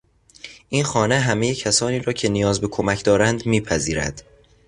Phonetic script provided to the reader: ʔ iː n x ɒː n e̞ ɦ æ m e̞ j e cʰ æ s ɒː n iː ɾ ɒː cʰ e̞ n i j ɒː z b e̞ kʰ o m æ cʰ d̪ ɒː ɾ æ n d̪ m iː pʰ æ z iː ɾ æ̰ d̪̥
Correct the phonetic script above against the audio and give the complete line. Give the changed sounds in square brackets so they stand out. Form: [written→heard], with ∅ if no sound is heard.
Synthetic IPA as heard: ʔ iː n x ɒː n e̞ ɦ æ m e̞ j e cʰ æ s ɒː n iː ɾ ɒː cʰ e̞ n i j ɒː z b e̞ kʰ o m æ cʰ d̪ ɒː ɾ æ n d̪ m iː pʰ æ z iː ɾ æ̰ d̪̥